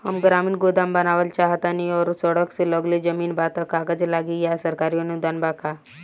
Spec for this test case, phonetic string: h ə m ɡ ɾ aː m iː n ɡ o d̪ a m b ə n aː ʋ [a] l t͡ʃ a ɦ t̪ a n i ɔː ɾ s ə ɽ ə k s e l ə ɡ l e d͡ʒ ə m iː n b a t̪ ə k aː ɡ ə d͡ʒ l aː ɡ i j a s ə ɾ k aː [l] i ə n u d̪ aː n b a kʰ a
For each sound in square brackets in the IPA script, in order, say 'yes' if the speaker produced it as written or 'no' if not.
no, no

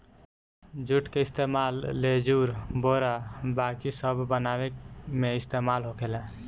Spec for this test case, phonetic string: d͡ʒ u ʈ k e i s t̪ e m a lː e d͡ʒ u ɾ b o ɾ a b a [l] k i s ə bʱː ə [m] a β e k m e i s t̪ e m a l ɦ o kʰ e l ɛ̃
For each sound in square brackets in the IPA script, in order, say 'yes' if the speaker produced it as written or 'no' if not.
no, no

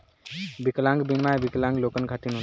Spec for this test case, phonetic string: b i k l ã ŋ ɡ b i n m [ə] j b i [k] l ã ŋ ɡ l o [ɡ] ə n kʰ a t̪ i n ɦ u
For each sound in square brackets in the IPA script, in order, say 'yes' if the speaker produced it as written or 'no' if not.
no, yes, no

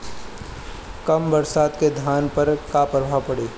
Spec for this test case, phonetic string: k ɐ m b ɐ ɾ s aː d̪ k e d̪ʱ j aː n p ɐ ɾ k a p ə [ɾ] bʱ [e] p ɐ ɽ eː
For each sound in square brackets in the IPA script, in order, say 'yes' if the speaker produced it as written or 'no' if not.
yes, no

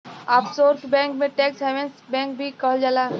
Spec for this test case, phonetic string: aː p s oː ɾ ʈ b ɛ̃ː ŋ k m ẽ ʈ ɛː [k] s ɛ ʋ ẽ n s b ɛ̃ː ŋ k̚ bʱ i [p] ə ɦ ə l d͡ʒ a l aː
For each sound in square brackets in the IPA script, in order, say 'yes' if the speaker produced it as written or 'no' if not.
yes, no

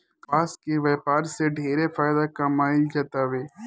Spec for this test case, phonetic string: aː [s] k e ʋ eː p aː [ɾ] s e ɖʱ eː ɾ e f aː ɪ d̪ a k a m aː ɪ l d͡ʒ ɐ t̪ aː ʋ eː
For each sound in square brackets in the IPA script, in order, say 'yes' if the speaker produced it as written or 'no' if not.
yes, yes

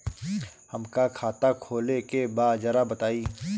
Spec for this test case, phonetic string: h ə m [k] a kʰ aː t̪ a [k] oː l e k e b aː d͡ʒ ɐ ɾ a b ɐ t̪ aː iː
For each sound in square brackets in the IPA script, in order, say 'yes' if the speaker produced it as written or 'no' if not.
yes, no

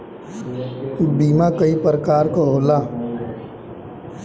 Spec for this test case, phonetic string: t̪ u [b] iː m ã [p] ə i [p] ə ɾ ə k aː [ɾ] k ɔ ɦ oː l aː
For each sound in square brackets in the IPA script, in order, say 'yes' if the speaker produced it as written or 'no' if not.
yes, no, yes, yes

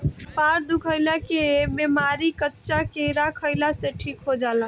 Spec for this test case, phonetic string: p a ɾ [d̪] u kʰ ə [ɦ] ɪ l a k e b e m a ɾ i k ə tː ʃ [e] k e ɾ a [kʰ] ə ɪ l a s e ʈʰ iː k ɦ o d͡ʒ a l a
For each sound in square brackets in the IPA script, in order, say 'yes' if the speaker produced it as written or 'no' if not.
yes, no, no, yes

